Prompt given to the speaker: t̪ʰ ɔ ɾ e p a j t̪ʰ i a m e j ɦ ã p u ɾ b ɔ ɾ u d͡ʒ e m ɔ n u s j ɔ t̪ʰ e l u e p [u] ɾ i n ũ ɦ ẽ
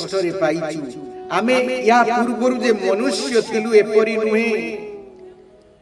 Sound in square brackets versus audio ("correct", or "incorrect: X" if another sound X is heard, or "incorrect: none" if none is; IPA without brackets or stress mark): incorrect: ɔ